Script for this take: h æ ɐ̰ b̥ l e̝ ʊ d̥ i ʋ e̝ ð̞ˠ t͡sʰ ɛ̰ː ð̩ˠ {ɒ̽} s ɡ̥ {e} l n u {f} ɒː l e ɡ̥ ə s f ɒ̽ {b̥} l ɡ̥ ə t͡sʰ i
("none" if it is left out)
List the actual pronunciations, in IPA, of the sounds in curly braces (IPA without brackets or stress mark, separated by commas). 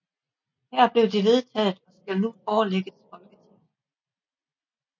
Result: ɒ̽, æ, f, none